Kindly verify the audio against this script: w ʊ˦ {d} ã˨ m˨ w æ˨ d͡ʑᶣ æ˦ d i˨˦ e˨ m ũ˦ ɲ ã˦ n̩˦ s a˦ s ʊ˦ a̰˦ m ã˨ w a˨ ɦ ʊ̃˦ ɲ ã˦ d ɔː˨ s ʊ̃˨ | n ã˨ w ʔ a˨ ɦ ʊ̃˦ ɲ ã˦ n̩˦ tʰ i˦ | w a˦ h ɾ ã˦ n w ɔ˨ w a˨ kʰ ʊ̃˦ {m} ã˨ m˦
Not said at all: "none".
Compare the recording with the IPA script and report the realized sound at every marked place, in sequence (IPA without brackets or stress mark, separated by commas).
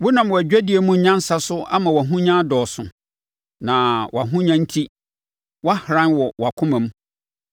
n, m